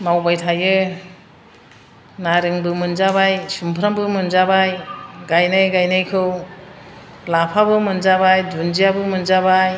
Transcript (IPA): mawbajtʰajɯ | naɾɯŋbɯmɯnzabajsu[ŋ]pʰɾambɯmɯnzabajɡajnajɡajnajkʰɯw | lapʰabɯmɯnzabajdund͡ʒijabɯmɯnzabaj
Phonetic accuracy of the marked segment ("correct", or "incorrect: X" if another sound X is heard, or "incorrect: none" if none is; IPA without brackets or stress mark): incorrect: m